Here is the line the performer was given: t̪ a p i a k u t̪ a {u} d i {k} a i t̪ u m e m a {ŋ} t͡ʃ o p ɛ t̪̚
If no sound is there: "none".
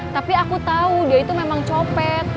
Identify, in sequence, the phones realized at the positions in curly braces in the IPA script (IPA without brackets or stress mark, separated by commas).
u, none, ŋ